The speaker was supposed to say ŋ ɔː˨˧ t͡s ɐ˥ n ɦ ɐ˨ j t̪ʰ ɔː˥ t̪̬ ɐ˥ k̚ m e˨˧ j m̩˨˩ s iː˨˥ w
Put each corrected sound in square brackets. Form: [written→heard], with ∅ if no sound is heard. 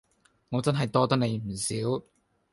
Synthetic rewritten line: ŋ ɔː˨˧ t͡s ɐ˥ n ɦ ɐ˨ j [t̪ʰ→t̪] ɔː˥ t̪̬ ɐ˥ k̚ [m→n] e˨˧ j m̩˨˩ s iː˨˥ w